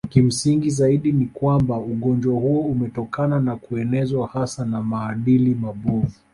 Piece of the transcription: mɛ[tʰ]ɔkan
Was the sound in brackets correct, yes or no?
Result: no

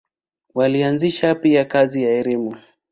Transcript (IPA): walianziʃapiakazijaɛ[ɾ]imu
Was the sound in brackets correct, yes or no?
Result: yes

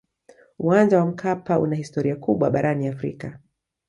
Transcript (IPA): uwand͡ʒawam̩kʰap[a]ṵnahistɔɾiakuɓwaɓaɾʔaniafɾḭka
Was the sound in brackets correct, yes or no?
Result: yes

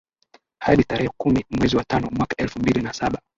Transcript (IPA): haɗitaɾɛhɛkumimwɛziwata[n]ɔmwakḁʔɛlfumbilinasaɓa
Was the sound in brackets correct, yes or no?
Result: yes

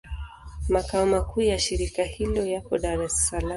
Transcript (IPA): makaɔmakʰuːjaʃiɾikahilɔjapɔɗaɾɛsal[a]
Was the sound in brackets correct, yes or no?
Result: yes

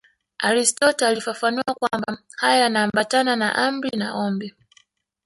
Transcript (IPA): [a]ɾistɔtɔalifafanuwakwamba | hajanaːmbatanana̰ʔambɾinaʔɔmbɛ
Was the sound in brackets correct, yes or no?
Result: yes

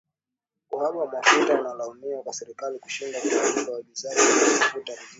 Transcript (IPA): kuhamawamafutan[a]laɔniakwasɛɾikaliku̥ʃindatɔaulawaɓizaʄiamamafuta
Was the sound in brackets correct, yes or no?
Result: yes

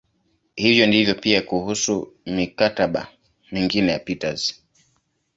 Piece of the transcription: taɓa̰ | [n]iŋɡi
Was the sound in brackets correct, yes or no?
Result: no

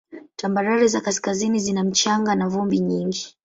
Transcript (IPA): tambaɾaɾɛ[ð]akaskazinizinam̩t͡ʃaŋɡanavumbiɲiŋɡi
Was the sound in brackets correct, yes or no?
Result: no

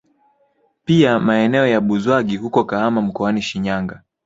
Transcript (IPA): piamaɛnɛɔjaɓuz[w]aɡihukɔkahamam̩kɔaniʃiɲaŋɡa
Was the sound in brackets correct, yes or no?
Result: yes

